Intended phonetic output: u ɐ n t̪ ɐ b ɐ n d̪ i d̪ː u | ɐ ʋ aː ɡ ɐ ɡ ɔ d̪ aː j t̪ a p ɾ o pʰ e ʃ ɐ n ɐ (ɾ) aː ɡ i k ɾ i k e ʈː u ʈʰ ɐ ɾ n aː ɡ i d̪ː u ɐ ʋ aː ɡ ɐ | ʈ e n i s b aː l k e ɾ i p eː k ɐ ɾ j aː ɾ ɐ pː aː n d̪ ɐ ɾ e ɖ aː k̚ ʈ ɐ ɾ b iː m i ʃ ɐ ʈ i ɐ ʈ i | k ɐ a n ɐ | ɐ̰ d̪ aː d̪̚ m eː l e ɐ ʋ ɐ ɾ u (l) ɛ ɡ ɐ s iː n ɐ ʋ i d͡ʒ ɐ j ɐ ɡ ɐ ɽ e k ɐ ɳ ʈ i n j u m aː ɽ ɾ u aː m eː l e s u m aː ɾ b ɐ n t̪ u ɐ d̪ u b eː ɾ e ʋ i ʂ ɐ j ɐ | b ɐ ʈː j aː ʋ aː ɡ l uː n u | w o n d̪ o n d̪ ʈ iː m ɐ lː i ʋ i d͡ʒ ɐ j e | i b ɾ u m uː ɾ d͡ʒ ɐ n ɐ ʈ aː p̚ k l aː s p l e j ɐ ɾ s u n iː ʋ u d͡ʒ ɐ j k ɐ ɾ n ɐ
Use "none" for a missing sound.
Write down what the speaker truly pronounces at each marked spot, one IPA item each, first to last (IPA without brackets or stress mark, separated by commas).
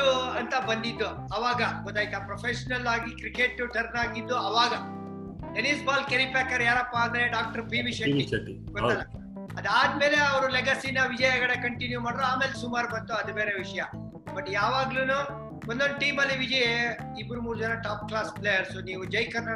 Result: l, l